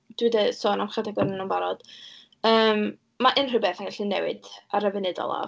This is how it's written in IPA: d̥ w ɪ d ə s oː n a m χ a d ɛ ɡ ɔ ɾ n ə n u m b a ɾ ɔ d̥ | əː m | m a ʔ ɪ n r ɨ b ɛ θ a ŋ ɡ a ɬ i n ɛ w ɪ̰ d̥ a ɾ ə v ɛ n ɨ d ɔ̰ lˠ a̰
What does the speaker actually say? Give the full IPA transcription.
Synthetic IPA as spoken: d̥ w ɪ d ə s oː n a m χ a d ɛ ɡ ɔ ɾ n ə n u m b a ɾ ɔ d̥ | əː m | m a ʔ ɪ n r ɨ b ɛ θ a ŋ ɡ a ɬ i n ɛ w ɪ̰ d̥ a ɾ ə v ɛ n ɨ d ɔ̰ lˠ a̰